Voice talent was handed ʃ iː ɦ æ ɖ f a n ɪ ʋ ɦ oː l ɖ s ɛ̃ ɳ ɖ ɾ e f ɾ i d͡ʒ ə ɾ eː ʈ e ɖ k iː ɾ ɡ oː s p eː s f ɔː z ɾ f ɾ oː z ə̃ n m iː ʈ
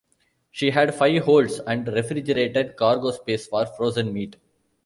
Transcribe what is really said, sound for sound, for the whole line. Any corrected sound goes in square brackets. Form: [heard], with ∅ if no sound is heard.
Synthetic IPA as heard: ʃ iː ɦ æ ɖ f a [∅] ɪ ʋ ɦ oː l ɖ s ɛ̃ ɳ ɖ ɾ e f ɾ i d͡ʒ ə ɾ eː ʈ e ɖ k [aː] ɾ ɡ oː s p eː s f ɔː [∅] ɾ f ɾ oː z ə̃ n m iː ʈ